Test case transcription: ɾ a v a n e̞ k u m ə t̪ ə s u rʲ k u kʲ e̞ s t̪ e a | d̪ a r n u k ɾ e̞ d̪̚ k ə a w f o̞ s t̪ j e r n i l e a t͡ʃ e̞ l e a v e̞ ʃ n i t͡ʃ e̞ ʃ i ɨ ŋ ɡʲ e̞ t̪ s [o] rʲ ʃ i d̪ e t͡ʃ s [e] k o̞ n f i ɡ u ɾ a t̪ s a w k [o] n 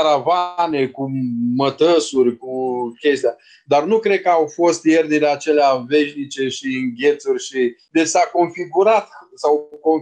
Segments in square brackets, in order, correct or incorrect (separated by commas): incorrect, incorrect, correct